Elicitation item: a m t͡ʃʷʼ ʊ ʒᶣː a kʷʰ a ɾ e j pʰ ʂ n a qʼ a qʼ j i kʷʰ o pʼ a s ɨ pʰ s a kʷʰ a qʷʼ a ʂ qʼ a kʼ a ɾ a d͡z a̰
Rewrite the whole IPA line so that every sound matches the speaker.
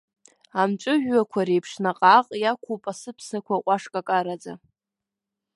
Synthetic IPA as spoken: a m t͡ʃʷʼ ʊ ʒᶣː a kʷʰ a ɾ e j pʰ ʂ n a qʼ a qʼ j a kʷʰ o pʼ a s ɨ pʰ s a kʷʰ a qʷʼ a ʂ kʼ a kʼ a ɾ a d͡z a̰

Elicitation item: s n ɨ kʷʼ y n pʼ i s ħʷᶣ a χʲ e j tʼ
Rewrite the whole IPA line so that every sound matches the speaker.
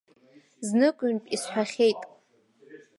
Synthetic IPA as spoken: z n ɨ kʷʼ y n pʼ i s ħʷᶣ a χʲ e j tʼ

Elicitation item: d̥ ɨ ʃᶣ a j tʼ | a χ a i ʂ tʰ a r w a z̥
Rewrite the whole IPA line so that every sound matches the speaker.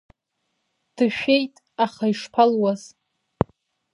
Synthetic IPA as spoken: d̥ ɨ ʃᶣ e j tʼ | a χ a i ʂ pʰ a l w a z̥

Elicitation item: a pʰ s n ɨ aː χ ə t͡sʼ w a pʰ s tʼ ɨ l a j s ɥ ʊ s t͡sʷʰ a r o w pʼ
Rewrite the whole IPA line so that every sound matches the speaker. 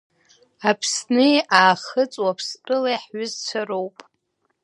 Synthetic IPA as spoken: a pʰ s n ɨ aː χ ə t͡sʼ w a pʰ s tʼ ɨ l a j ħ ɥ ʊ z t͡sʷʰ a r o w pʼ

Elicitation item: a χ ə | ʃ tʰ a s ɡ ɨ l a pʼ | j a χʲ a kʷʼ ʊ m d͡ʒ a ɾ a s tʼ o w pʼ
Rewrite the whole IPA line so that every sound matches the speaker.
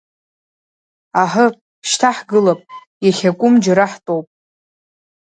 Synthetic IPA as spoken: a ħ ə | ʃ tʰ a ħ ɡ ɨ l a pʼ | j a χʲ a kʷʼ ʊ m d͡ʒ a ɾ a ħ tʼ o w pʼ

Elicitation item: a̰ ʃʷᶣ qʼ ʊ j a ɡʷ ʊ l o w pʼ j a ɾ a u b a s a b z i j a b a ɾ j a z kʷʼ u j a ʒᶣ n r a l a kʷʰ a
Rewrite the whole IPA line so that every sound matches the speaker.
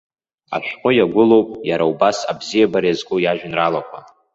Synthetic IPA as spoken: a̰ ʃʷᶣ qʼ ʊ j a ɡʷ ʊ l o w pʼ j a ɾ a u b a s a b z i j a b a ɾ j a z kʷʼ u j a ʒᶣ n r a l a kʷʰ a

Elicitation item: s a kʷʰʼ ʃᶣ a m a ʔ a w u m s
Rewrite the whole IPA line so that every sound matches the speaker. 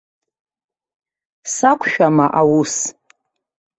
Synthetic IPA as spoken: s a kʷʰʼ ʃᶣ a m a ʔ a w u s

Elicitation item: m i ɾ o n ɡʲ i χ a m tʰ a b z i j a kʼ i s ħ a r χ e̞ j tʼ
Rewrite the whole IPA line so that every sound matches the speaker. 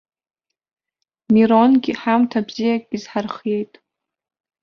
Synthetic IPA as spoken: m i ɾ o n ɡʲ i ħ a m tʰ a b z i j a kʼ i z ħ a r χ e̞ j tʼ

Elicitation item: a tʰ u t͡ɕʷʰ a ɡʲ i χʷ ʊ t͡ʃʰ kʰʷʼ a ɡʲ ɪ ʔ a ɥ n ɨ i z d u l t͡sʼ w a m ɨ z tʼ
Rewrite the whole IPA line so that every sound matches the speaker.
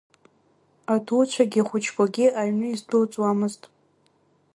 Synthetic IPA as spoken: a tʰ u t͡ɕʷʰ a ɡʲ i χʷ ʊ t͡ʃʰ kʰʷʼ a ɡʲ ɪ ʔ a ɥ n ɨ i z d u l t͡sʼ w a m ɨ z tʼ

